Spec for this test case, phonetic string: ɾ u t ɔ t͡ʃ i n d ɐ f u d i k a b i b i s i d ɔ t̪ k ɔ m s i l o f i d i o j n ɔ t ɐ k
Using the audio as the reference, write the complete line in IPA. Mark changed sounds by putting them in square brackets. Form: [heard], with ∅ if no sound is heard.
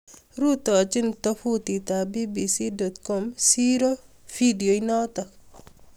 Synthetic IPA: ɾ u t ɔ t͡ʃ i n [t] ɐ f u [t] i [t] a b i b i s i d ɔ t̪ k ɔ m s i [ɾ] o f i d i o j n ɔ t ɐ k